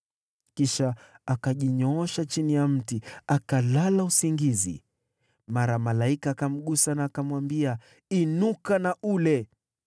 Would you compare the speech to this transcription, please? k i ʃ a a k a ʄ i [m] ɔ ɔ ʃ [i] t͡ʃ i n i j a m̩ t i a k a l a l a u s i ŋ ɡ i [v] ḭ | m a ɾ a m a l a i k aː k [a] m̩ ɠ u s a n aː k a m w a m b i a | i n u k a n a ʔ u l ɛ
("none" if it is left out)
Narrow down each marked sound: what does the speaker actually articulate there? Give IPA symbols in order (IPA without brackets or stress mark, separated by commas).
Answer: ɲ, a, z, a